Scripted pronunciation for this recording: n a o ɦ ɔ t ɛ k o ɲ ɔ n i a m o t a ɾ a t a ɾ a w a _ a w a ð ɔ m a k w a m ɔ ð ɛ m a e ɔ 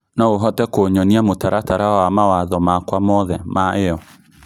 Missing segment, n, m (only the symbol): m